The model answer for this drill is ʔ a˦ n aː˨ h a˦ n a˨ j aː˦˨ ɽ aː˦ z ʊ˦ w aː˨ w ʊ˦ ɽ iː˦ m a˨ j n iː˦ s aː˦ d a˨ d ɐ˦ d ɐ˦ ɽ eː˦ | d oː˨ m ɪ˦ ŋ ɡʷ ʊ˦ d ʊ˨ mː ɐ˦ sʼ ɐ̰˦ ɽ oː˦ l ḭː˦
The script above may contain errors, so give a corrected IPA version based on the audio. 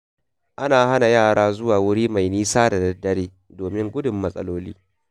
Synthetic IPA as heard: ʔ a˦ n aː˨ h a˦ n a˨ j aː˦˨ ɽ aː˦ z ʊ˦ w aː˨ w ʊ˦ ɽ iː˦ m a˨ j n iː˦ s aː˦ d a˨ d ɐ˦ d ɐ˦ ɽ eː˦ | d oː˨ m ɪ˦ ŋ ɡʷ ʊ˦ d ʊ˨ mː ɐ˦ sʼ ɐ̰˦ l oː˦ l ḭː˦